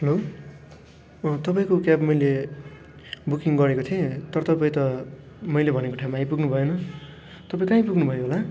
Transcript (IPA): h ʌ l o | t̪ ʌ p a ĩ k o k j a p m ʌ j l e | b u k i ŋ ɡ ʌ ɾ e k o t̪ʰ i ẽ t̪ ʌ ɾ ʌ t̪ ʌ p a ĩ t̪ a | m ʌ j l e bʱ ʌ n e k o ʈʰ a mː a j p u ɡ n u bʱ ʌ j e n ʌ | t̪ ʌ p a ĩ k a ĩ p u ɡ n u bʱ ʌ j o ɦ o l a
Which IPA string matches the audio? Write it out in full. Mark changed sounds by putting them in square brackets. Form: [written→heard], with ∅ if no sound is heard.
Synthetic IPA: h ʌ l o | t̪ ʌ p a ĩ k o k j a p m ʌ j l e | b u k i ŋ ɡ ʌ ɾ e k o t̪ʰ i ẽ t̪ ʌ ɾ ʌ t̪ ʌ p a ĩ t̪ [a→ʌ] | m ʌ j l e bʱ ʌ n e k o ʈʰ a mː a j p u ɡ n u bʱ ʌ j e n ʌ | t̪ ʌ p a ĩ k a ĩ p u ɡ n u bʱ ʌ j o ɦ o l a